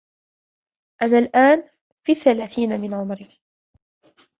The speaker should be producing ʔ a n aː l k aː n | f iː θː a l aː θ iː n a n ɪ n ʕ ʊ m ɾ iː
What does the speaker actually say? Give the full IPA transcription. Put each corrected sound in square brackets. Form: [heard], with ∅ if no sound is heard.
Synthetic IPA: ʔ a n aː l [ʔ] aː n | f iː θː a l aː θ iː n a [m] ɪ n ʕ ʊ m ɾ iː

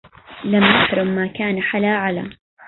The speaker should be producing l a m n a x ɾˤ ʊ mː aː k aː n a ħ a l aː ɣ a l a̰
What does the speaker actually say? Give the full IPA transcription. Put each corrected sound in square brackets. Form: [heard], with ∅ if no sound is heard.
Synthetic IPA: l a m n a [ħ] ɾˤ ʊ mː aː k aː n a ħ a l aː [ʕ] a l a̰

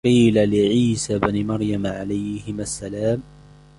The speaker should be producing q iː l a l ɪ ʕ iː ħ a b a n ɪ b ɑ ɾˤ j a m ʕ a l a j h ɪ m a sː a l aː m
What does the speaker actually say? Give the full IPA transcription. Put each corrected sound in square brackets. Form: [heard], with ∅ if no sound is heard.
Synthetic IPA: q iː l a l ɪ ʕ iː [s] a b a n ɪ [m] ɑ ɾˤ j a m ʕ a l a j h ɪ m a sː a l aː m

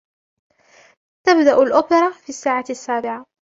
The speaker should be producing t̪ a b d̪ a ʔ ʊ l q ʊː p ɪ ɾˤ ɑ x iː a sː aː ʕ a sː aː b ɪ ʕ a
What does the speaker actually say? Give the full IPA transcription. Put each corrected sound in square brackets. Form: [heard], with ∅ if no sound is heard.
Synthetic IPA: t̪ a b d̪ a ʔ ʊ l [ʔ] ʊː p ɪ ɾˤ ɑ [f] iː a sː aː ʕ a sː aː b ɪ ʕ a

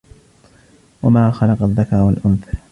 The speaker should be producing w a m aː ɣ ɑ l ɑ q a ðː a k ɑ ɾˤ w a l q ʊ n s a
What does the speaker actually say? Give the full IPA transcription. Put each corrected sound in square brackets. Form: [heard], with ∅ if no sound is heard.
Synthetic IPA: w a m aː [x] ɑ l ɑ q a ðː a k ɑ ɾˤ w a l [ʔ] ʊ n [θ] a

